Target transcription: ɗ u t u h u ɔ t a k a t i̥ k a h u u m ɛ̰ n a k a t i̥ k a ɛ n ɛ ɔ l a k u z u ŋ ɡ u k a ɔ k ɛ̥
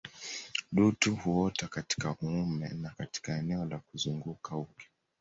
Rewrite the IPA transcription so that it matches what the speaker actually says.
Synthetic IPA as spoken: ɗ u t u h u ɔ t a k a t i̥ k a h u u m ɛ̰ n a k a t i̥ k a ɛ n ɛ ɔ l a k u z u ŋ ɡ u k a u k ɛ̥

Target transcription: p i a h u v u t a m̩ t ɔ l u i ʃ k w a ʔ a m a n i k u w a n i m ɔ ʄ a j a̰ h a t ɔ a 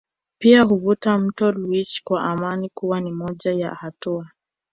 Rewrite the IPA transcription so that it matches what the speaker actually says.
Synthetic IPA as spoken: p i a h u v u t a m̩ t ɔ l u i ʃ k w a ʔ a m a n i k u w a n i m ɔ ʄ a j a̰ h a t u a

